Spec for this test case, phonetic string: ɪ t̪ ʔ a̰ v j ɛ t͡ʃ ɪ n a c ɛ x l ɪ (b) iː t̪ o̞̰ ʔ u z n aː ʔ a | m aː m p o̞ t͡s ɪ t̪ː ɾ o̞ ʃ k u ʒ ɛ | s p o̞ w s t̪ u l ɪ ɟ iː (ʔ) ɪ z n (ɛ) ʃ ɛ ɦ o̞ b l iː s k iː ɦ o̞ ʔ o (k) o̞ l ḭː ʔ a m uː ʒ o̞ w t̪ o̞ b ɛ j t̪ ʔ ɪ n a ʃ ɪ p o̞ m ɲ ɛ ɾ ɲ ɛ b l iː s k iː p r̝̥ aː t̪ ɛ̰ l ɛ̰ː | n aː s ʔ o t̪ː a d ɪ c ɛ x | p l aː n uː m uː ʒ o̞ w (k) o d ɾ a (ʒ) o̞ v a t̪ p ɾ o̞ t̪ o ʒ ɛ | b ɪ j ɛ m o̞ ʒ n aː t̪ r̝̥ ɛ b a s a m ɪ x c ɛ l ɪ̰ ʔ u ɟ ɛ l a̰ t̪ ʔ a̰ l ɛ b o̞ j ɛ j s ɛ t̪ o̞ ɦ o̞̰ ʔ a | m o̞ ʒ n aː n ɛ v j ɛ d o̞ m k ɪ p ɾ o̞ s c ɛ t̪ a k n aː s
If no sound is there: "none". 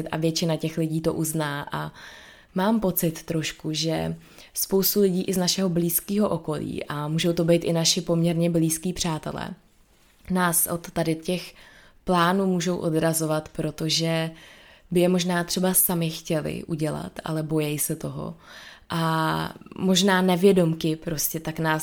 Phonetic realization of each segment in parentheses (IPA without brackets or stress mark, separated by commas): ɟ, ʔ, a, k, ʔ, z